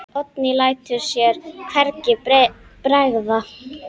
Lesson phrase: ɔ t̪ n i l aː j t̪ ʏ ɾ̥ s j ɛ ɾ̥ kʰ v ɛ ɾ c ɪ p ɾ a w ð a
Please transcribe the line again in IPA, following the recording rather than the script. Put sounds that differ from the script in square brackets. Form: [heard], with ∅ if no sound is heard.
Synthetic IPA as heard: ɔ t̪ n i l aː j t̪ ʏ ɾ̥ s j ɛ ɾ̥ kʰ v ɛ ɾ c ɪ p ɾ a [ɣ] ð a